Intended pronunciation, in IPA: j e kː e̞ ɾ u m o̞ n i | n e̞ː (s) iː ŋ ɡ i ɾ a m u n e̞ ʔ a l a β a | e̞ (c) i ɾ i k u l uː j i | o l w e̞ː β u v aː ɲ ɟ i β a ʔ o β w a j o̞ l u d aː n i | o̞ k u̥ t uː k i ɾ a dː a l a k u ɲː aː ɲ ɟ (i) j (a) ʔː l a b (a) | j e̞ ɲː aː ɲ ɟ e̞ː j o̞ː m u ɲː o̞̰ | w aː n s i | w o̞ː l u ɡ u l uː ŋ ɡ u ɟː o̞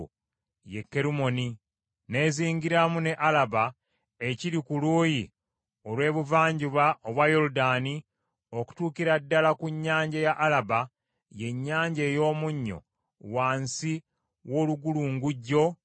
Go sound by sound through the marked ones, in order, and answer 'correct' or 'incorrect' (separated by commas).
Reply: incorrect, correct, incorrect, correct, correct